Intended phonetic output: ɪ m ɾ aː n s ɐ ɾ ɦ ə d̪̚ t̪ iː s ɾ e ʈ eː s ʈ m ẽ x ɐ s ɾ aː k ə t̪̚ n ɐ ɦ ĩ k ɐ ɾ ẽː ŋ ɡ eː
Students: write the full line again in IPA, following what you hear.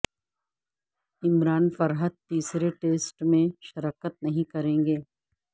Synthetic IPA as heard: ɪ m ɾ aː n f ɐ ɾ ɦ ə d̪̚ t̪ iː s ɾ e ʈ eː s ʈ m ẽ ʃ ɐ ɾ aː k ə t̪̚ n ɐ ɦ ĩ k ɐ ɾ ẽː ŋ ɡ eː

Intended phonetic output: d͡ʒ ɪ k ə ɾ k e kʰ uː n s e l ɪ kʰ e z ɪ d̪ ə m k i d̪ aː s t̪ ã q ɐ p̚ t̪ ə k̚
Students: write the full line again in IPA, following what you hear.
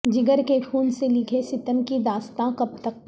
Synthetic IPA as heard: d͡ʒ ɪ ɡ ə ɾ k e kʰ uː n s e l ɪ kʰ e s ɪ t̪ ə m k i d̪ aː s t̪ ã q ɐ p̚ t̪ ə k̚

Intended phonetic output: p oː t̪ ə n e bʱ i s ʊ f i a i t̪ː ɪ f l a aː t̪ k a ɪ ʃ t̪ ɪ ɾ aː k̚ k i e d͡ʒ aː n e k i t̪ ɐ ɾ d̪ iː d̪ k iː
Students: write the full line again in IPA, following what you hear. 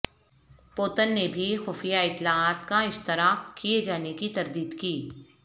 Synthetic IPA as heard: p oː t̪ ə nː e bʱ i x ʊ f j a ɪ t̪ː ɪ l a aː t̪ k a ɪ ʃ t̪ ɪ ɾ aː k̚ k i e d͡ʒ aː n e k i t̪ ɐ ɾ d̪ iː d̪ k iː

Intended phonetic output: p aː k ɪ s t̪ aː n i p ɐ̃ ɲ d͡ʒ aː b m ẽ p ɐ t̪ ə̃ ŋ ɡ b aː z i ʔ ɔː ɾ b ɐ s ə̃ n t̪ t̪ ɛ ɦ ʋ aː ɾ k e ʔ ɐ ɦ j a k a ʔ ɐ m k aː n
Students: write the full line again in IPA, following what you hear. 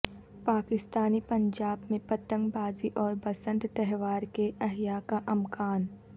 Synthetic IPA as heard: p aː k ɪ s t̪ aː n i p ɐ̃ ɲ d͡ʒ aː b m ẽ p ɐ t̪ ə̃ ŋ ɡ b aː z i ʔ ɔː ɾ b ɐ s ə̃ n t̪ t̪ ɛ ɦ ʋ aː ɾ k e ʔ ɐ ɦ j a k a ʔ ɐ m k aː n

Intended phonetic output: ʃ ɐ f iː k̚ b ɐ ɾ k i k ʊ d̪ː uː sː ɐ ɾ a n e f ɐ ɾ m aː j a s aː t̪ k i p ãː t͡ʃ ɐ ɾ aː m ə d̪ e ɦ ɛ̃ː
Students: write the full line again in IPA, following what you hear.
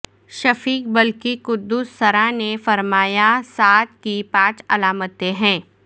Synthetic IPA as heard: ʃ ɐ f iː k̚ b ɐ l k i k ʊ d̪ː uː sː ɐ ɾ a n e f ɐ ɾ m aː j a s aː t̪ k i p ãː t͡ʃ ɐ l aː m ə t̪ e ɦ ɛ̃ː

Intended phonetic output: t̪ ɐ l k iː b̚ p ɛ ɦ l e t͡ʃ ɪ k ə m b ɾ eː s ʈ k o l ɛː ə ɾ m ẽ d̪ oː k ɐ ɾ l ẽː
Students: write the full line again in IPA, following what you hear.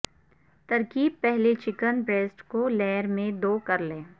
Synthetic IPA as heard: t̪ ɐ ɾ k iː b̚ p ɛ ɦ l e t͡ʃ ɪ k ə n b ɾ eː s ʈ k o l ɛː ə ɾ m ẽ d̪ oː k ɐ ɾ l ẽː

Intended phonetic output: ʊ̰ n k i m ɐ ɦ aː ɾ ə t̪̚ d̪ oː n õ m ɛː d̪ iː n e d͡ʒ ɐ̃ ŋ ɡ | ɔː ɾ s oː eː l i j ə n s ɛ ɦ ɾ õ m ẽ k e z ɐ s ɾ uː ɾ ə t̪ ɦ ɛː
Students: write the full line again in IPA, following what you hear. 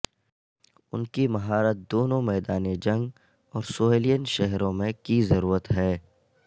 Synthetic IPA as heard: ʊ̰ n k i m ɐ ɦ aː ɾ ə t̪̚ d̪ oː n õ m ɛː d̪ aː n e d͡ʒ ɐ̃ ŋ ɡ | ɔː ɾ s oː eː l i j ə n ʃ ɛ ɦ ɾ õ m ẽ k i z ɐ ɾ uː ɾ ə t̪ ɦ ɛː

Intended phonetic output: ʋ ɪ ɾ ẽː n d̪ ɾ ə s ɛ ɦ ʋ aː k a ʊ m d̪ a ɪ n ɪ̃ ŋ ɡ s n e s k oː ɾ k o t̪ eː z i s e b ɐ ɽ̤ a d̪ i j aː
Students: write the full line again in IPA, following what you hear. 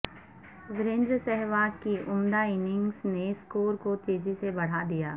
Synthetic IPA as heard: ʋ ɪ ɾ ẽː n d̪ ɾ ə s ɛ ɦ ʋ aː k i ʊ m d̪ a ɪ n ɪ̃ ŋ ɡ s n e s k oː ɾ k o t̪ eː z i s e b ɐ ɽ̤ a d̪ i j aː

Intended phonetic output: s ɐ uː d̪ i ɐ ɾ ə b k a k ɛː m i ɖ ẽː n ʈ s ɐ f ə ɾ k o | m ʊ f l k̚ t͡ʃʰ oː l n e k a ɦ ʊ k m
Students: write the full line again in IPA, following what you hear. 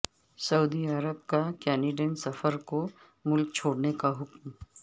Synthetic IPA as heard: s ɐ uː d̪ i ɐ ɾ ə b k a k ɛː n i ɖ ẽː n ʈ s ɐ f ə ɾ k o | m ʊ l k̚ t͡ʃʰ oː ɽ n e k a ɦ ʊ k m

